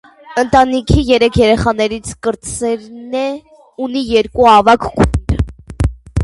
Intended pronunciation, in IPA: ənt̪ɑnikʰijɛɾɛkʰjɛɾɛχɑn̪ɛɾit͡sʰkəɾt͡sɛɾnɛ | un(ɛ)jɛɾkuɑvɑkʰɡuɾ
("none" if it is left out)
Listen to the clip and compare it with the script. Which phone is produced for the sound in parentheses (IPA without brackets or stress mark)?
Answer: i